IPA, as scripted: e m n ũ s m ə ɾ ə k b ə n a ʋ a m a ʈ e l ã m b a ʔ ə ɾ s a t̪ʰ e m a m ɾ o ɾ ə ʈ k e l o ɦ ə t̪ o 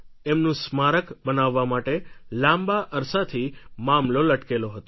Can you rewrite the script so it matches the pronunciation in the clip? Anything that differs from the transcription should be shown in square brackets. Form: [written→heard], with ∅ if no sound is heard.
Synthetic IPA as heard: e m n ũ s m [ə→a] ɾ ə k b ə n a [ʋ→ʋː] a m a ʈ e l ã m b a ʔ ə ɾ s a t̪ʰ [e→i] m a m [ɾ→l] o [ɾ→l] ə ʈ k e l o ɦ ə t̪ o